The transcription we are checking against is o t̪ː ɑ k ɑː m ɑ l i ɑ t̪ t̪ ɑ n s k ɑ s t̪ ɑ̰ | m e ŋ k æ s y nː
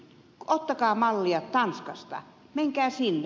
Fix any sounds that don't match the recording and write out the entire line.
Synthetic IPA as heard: o t̪ː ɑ k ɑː m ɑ lː i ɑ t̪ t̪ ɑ n s k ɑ s t̪ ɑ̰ | m e ŋ k æː s i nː